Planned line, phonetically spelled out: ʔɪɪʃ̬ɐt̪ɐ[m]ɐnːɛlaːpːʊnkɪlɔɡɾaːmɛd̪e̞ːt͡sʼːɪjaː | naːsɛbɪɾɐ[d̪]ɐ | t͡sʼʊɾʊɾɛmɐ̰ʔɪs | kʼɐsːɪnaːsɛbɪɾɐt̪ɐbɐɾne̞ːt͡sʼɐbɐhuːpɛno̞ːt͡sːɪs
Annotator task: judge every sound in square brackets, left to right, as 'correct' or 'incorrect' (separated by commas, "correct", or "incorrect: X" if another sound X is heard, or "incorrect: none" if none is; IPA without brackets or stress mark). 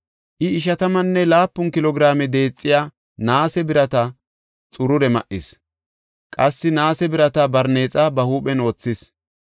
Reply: correct, incorrect: t̪